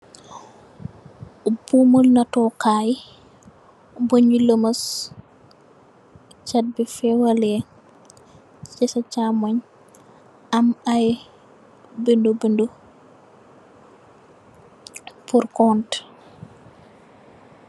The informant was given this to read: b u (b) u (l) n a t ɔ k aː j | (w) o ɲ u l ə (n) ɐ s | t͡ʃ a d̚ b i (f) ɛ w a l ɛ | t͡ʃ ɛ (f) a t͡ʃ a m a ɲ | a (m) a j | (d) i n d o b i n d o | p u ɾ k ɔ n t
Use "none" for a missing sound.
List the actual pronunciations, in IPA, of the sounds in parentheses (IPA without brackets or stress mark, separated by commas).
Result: m, l, b, m, f, s, m, b